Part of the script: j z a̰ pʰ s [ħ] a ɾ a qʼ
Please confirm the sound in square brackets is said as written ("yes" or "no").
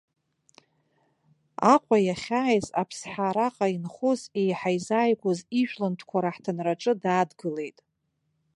yes